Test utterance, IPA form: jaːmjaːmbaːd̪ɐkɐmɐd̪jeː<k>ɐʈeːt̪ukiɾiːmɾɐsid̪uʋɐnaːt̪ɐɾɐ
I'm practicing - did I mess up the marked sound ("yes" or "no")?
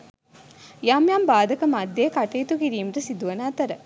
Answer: no